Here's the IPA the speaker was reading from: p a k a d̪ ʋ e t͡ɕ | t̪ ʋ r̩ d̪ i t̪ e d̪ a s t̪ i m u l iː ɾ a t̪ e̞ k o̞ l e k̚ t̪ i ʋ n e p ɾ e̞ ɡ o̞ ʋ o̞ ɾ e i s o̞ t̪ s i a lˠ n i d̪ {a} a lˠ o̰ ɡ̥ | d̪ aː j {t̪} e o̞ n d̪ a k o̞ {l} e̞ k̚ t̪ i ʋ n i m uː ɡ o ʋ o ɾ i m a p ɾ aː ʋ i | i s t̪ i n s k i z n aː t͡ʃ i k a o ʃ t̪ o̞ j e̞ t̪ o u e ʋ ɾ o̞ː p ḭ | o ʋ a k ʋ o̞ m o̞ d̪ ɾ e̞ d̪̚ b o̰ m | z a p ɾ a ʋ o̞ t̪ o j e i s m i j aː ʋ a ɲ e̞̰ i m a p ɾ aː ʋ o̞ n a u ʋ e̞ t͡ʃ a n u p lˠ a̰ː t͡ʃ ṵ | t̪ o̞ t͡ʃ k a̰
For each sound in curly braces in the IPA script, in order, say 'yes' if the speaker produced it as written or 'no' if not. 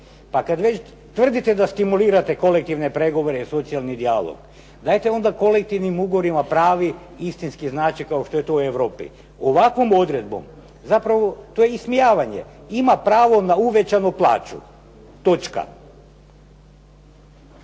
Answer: no, yes, yes

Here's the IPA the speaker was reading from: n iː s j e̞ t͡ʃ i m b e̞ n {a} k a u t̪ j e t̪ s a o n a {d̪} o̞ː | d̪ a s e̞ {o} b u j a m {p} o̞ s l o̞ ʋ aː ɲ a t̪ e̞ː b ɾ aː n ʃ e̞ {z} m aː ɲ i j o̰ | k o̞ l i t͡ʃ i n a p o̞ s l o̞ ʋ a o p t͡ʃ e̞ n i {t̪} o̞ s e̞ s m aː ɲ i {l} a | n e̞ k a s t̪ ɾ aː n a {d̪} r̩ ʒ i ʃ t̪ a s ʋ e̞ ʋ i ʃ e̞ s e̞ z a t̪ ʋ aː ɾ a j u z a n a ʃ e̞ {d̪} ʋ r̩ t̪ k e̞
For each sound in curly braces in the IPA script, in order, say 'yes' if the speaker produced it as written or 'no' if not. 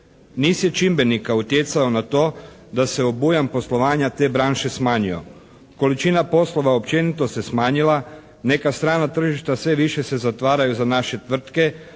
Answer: no, no, yes, yes, no, yes, yes, no, no

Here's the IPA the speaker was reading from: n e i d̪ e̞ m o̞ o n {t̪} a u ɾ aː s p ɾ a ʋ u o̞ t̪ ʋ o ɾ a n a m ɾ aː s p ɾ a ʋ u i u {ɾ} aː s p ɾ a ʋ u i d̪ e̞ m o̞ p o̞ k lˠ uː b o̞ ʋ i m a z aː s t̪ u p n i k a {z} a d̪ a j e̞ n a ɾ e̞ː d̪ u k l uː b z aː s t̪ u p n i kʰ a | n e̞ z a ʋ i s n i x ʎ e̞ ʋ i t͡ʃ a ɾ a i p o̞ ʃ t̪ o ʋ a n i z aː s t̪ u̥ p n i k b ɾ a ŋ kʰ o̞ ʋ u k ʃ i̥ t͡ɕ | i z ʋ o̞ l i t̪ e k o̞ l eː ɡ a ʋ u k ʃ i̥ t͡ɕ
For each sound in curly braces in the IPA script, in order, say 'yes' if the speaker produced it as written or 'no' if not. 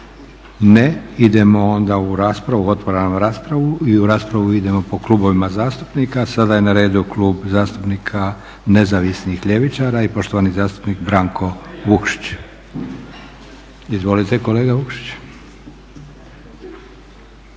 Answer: no, yes, no

